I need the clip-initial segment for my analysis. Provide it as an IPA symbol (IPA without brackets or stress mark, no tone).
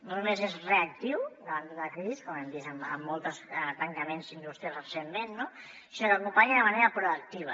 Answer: n